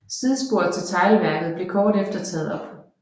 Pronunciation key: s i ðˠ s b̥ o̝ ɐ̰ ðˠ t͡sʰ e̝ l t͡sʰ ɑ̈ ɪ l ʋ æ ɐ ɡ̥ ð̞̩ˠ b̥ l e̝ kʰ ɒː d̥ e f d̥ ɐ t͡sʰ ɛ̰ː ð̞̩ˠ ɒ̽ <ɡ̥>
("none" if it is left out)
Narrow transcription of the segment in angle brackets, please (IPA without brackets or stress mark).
b̥